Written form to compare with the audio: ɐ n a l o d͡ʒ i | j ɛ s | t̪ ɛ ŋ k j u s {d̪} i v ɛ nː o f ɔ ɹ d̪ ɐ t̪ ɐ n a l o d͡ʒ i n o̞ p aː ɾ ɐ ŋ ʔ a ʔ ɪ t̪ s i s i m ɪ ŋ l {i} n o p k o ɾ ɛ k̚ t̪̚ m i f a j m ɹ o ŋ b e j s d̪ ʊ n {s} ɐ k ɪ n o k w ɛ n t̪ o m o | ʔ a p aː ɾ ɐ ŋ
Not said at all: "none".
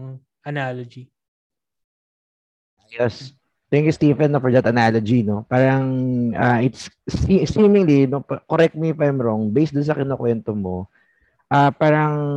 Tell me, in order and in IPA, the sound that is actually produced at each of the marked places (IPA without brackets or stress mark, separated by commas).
t̪, i, s